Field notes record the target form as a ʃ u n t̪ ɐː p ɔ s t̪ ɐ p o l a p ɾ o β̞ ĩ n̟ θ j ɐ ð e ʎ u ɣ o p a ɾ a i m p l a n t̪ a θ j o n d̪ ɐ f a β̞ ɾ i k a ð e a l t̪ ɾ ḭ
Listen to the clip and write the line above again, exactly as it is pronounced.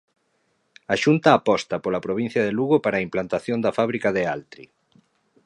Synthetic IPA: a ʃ u n t̪ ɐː p ɔ s t̪ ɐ p o l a p ɾ o β̞ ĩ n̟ θ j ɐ ð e l u ɣ o p a ɾ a i m p l a n t̪ a θ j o n d̪ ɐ f a β̞ ɾ i k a ð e a l t̪ ɾ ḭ